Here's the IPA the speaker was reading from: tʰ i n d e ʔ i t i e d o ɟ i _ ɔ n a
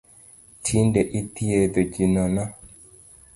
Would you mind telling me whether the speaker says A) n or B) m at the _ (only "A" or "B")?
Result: A